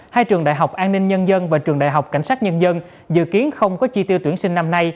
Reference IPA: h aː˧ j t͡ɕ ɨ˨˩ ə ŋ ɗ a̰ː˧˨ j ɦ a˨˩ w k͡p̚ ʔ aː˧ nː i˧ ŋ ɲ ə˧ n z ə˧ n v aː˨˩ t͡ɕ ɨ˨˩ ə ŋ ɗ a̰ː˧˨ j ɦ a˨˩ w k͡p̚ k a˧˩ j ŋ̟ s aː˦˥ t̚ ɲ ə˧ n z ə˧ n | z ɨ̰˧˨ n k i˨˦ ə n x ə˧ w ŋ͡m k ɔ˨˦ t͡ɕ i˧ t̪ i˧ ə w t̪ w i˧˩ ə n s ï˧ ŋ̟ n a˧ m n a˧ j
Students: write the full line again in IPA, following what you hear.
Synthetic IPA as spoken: h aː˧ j t͡ɕ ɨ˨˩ ə ŋ ɗ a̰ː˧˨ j ɦ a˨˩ w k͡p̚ ʔ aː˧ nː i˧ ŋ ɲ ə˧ n z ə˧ n v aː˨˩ t͡ɕ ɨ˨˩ ə ŋ ɗ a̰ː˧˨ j ɦ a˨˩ w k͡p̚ k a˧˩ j ŋ̟ s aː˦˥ t̚ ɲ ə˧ n z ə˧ n | z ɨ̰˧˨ k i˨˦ ə n x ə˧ w ŋ͡m k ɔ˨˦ t͡ɕ i˧ t̪ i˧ ə w t̪ w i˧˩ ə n s ï˧ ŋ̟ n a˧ m n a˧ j